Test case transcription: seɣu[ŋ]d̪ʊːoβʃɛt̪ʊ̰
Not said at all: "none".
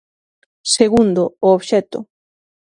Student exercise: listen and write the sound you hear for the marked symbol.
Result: n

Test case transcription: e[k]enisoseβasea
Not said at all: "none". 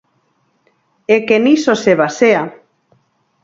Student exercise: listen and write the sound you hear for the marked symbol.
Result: k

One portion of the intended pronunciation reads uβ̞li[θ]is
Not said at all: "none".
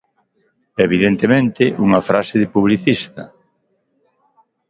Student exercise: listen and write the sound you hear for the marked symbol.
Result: θ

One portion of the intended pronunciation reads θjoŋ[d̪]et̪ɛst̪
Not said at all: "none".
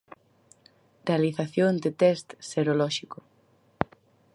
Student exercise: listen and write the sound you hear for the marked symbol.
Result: d̪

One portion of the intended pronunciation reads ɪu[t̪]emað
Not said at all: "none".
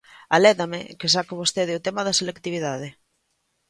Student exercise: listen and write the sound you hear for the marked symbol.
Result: t̪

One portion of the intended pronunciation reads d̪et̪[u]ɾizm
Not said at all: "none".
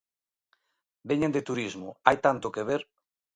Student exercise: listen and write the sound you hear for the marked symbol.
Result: u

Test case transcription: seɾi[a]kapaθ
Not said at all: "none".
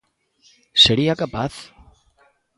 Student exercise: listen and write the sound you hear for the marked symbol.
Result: a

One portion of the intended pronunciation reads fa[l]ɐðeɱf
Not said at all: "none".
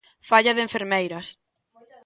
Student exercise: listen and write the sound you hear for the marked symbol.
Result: ʎ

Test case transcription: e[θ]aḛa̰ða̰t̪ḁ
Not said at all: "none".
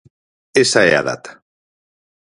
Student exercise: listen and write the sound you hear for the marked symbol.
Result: s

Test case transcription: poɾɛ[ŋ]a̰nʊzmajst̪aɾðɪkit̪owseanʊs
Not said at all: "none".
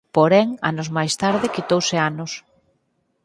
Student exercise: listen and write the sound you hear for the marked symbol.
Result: ŋ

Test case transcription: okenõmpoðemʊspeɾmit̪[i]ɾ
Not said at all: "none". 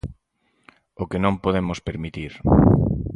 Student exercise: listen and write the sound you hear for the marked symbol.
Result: i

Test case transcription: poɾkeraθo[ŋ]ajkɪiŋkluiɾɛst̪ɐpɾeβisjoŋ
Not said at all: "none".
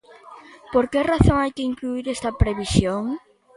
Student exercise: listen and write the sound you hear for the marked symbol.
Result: ŋ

